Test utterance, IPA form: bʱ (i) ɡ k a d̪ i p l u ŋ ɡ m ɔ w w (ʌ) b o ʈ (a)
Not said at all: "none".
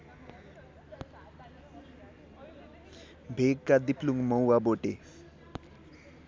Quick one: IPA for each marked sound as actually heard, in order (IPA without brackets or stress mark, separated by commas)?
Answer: e, a, e